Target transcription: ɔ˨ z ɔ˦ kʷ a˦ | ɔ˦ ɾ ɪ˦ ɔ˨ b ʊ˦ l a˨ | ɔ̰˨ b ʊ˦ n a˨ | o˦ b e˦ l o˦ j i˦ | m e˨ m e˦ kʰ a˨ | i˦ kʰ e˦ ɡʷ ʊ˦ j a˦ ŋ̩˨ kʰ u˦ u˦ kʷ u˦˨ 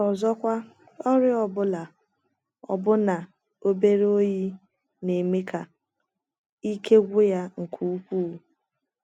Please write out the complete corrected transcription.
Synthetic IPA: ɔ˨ z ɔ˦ kʷ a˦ | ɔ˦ ɾ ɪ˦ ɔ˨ b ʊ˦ l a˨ | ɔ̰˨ b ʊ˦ n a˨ | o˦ b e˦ ɾ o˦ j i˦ | n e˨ m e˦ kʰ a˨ | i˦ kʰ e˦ ɡʷ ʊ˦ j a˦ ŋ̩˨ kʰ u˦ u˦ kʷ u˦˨

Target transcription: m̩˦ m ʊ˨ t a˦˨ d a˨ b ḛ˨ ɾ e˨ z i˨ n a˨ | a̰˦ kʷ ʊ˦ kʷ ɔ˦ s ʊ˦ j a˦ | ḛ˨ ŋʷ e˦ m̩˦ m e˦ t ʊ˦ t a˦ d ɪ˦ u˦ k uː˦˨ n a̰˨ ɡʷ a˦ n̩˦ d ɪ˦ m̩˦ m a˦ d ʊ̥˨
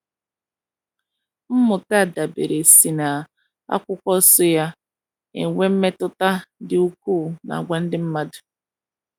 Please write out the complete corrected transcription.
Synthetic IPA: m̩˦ m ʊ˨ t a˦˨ d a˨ b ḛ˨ ɾ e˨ s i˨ n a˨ | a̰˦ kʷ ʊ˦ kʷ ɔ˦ s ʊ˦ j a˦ | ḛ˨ ŋʷ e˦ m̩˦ m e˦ t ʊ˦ t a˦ d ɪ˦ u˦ k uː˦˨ n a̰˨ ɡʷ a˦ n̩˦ d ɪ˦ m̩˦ m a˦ d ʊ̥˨

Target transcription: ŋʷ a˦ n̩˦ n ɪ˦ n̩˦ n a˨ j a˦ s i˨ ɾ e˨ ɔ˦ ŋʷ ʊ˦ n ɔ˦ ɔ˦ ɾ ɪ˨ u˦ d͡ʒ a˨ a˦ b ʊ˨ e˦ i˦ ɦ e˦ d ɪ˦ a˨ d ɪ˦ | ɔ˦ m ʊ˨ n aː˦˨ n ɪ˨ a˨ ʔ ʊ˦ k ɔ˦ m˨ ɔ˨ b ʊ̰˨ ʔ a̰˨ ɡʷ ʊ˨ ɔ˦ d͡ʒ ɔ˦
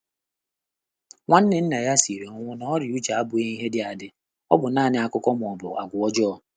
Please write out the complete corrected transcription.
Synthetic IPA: ŋʷ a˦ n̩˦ n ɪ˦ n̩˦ n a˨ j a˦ s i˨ ɾ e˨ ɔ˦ ŋʷ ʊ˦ n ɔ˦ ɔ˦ ɾ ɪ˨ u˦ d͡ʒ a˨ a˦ b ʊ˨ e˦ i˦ ɦ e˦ d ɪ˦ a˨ d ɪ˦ | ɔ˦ b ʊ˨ n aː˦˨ n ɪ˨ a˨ k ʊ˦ k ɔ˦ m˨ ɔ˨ b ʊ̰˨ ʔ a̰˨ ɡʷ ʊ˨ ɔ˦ d͡ʒ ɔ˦

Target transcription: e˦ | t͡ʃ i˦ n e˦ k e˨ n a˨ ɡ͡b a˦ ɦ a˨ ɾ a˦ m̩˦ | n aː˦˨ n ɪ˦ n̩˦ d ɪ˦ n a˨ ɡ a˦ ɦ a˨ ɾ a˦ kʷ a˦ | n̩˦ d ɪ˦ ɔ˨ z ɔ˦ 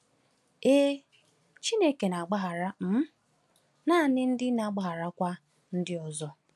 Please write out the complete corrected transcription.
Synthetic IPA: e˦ | t͡ʃ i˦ n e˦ k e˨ n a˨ ɡ͡b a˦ ɦ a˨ ɾ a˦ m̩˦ | n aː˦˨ n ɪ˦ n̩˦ d ɪ˦ n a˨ ɡ͡b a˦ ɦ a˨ ɾ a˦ kʷ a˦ | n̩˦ d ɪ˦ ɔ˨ z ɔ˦

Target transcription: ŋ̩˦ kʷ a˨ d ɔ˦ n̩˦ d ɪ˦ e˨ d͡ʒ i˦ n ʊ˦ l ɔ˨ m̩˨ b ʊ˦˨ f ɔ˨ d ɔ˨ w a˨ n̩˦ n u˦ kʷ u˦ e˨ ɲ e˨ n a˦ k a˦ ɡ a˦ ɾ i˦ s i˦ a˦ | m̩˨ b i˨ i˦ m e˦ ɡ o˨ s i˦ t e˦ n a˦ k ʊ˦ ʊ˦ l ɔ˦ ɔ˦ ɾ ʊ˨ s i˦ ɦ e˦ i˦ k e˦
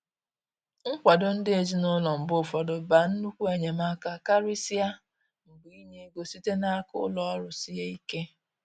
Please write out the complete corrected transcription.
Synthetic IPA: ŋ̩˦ kʷ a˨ d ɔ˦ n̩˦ d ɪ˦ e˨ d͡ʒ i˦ n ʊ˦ l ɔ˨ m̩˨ b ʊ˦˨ f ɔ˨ d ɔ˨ b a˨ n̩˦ n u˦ kʷ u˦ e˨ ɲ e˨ m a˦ k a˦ k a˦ ɾ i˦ s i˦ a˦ | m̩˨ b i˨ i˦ ɲ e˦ ɡ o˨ s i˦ t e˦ n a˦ k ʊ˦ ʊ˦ l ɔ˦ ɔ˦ ɾ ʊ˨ s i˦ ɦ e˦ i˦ k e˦

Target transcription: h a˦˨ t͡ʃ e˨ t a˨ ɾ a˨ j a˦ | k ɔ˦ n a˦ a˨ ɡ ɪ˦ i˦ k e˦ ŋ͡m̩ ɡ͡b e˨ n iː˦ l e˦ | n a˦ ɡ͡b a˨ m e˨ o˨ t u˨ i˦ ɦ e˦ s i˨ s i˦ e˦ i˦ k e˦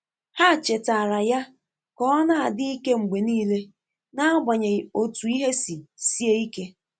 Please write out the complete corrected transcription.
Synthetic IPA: h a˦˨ t͡ʃ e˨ t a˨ ɾ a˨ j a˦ | k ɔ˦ n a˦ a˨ d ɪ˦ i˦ k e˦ ŋ͡m̩ ɡ͡b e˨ n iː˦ l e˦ | n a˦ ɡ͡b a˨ ɲ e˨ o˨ t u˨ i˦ ɦ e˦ s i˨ s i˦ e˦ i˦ k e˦

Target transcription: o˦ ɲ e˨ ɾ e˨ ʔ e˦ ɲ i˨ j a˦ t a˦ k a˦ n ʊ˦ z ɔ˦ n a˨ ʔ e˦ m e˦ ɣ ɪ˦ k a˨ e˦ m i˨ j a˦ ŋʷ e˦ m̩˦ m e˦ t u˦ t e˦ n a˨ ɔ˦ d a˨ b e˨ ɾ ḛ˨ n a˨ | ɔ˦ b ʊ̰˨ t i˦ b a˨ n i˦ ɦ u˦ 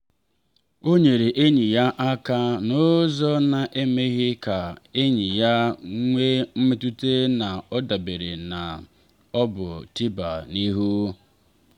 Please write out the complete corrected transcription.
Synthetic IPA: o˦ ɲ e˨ ɾ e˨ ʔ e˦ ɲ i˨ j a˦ ʔ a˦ k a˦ n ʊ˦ z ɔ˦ n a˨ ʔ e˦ m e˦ ɣ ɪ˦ k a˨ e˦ ɲ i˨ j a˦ ŋʷ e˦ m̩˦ m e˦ t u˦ t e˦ n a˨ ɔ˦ d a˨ b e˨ ɾ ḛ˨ n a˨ | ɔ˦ b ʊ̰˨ t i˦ b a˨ n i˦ ɦ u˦

